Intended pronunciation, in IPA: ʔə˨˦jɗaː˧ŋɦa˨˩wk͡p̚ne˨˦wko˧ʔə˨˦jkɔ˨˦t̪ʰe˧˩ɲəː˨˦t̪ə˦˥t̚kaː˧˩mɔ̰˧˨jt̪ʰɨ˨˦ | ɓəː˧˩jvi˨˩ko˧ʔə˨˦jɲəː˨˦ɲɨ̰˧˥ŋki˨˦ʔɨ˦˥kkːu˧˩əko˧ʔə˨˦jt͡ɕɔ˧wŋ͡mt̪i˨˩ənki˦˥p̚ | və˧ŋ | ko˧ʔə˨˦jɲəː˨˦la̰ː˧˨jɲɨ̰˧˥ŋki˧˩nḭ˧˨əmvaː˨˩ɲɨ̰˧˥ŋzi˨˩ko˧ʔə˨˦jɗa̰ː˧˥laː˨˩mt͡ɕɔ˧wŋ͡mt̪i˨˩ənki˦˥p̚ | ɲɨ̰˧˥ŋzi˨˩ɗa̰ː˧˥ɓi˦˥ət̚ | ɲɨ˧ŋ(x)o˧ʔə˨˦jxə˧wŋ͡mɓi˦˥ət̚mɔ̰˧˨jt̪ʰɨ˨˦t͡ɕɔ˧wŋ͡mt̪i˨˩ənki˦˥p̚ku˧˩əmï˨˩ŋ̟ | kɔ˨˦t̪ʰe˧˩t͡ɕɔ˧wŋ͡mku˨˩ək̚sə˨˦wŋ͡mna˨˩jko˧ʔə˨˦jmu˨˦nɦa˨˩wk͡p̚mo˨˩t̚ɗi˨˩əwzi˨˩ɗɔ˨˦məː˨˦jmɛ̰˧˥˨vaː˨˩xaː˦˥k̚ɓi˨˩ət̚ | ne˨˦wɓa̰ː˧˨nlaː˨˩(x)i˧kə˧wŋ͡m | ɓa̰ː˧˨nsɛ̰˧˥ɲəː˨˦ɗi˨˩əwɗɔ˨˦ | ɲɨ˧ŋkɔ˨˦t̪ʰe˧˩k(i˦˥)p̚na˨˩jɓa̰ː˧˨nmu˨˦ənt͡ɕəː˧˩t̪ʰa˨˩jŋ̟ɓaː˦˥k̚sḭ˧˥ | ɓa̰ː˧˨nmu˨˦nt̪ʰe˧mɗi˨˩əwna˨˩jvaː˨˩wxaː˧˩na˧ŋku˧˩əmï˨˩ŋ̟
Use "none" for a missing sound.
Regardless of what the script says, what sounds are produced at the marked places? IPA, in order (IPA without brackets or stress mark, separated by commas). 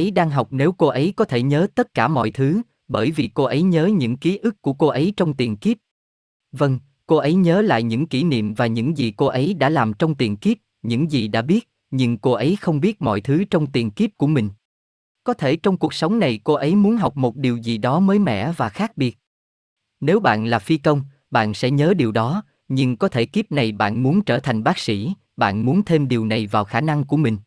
k, f, i˦˥